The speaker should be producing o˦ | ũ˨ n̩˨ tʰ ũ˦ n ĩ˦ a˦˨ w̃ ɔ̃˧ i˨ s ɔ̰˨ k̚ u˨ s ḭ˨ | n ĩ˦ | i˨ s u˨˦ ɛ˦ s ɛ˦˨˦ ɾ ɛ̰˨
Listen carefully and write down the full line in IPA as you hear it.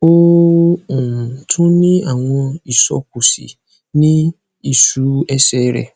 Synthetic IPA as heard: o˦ | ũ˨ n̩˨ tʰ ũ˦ n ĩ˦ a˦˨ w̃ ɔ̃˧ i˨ s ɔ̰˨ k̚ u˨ s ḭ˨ | n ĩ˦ | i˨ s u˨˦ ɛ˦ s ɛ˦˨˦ ɾ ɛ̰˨